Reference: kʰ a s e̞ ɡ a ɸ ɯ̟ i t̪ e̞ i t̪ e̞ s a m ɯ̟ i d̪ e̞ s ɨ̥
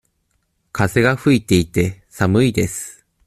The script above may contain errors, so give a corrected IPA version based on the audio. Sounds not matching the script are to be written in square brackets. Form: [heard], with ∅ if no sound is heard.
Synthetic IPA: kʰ a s e̞ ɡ a ɸ ɯ̟ i t̪ e̞ i t̪ e̞ s a m ɯ̟ i d̪ e̞ s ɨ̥